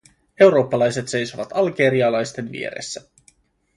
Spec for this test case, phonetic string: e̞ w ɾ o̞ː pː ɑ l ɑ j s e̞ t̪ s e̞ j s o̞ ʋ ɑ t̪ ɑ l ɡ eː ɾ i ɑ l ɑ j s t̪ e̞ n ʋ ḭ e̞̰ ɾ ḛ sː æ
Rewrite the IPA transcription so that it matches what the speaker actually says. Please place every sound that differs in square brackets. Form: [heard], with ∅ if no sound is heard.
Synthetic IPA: e̞ w ɾ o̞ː pː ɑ l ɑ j s e̞ t̪ s e̞ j s o̞ ʋ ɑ t̪ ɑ l ɡ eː ɾ i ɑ l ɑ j s t̪ e̞ n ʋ ḭ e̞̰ ɾ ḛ sː æ